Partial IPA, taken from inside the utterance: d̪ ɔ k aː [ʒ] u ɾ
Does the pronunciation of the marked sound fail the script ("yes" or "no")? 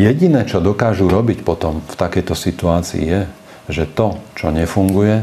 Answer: no